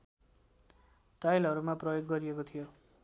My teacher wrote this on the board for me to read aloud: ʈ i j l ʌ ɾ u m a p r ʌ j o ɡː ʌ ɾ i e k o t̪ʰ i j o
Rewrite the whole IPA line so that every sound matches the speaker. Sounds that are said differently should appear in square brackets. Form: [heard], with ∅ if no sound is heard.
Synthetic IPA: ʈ [a] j l ʌ ɾ u m a p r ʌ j o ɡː ʌ ɾ i e k o t̪ʰ i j o